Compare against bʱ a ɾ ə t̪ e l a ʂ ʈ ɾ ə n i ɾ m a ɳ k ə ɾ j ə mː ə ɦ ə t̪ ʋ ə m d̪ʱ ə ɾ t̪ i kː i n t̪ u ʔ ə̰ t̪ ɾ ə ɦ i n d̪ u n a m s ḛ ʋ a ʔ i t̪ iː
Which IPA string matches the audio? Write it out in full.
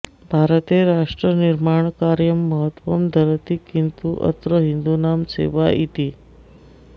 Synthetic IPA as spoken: bʱ a ɾ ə t̪ e ɾ a ʂ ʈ ɾ ə n i ɾ m a ɳ k a ɾ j ə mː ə ɦ ə t̪ ʋ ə m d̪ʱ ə ɾ t̪ i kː i n t̪ u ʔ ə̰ t̪ ɾ ə ɦ i n d̪ u n a m s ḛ ʋ a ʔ i t̪ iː